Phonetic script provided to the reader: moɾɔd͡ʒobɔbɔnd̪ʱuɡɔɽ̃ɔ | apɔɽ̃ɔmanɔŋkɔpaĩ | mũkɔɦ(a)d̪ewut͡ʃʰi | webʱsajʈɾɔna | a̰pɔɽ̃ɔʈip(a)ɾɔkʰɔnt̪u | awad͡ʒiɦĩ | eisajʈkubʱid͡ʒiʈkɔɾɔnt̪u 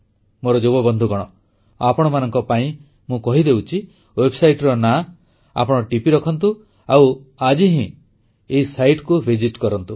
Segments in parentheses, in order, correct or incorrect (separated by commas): incorrect, incorrect